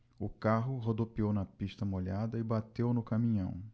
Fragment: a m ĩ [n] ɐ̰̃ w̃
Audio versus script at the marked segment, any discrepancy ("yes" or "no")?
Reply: yes